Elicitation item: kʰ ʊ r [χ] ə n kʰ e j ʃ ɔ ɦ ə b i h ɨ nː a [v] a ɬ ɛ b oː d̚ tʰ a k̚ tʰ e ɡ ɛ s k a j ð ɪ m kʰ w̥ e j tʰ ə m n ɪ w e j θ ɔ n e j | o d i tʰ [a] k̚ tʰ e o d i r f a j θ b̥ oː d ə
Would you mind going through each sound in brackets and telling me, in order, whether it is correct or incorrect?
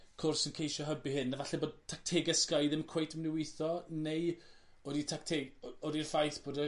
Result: incorrect, correct, correct

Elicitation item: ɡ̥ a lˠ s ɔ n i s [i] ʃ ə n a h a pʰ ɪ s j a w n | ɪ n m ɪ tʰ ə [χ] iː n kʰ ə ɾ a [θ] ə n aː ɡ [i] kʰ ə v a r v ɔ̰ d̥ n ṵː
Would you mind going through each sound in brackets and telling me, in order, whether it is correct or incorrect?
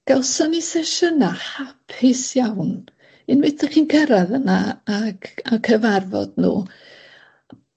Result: incorrect, correct, incorrect, incorrect

